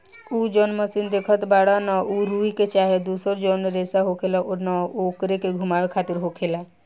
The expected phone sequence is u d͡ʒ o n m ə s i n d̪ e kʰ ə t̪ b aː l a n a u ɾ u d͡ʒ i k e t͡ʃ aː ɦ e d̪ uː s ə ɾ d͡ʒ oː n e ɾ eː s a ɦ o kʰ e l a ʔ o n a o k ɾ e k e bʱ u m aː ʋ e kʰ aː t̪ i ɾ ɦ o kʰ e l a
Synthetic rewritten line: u d͡ʒ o n m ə s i n d̪ e kʰ ə t̪ b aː ɽ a n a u ɾ u i k e t͡ʃ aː ɦ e d̪ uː s ə ɾ d͡ʒ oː n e ɾ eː s a ɦ o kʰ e l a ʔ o n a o k ɾ e k e ɡʱ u m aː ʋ e kʰ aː t̪ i ɾ ɦ o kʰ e l a